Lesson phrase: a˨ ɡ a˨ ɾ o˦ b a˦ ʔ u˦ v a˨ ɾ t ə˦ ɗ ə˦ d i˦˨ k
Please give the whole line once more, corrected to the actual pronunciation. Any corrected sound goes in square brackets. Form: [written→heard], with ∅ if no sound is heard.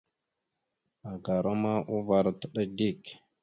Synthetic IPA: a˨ ɡ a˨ ɾ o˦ [b→m] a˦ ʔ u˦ v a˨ ɾ t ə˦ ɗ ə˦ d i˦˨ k